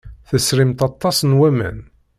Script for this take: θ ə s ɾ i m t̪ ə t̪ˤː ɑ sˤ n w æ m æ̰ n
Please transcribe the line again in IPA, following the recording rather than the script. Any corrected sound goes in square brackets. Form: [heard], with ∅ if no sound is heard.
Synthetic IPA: θ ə s ɾ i m t̪ [ɑ] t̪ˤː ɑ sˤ n w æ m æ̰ n